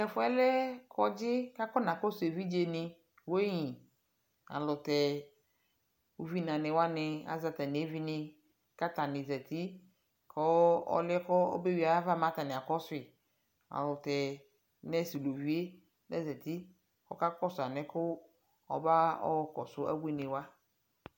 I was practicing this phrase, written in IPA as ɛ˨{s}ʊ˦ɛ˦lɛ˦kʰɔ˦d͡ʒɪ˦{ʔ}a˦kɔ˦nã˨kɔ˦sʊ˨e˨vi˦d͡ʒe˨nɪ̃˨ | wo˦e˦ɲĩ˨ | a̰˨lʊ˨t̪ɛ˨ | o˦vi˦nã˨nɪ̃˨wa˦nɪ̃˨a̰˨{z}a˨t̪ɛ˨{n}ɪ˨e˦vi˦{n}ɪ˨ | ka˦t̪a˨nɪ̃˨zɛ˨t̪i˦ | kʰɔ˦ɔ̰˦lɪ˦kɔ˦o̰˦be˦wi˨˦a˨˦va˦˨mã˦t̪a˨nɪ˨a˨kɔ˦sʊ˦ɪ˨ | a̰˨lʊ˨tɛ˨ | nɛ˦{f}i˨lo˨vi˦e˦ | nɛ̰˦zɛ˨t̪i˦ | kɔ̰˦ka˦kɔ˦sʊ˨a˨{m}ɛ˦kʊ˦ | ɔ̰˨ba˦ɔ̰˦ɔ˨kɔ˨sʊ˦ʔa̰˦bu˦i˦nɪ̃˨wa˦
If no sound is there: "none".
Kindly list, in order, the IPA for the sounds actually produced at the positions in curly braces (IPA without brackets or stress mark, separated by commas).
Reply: f, k, z, n, n, s, n